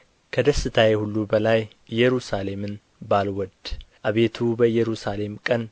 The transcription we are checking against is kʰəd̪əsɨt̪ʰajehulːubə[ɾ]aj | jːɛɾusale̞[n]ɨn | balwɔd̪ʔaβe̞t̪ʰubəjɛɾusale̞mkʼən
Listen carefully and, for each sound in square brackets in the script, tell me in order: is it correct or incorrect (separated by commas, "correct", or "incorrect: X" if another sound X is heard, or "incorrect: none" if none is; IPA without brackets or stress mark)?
incorrect: l, incorrect: m